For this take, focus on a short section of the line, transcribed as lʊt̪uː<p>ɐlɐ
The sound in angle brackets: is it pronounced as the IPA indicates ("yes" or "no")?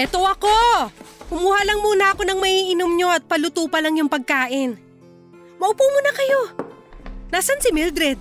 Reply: yes